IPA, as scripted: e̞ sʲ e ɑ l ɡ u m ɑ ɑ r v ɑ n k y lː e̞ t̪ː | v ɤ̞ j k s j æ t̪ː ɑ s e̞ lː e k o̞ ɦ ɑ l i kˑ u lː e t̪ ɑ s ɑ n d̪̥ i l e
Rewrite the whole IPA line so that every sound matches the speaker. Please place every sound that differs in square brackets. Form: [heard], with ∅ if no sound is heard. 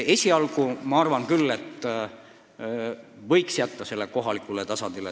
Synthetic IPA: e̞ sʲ [i] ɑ l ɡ u m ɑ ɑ r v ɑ n k y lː e̞ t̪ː | v ɤ̞ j k s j æ t̪ː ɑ s e̞ lː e k o̞ ɦ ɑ l i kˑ u [l] e t̪ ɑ s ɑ n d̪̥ i l e